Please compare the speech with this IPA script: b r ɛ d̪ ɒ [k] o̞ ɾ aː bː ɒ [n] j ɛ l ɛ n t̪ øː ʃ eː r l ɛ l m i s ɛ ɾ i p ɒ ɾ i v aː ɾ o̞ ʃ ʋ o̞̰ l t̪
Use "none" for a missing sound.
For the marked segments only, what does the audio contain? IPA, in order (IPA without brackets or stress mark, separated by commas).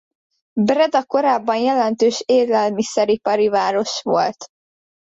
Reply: k, n